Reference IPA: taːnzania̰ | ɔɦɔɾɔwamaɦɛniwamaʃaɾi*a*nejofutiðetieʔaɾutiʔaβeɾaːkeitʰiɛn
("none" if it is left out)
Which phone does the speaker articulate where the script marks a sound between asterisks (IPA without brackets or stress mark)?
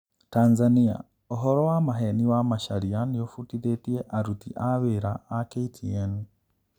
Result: a